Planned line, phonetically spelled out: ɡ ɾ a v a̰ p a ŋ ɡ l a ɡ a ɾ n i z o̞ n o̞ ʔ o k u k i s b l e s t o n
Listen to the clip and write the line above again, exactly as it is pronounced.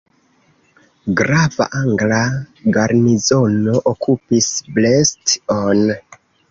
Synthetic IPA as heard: ɡ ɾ a v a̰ ʔ a ŋ ɡ l a ɡ a ɾ n i z o̞ n o̞ ʔ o k u p i s b l e s t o n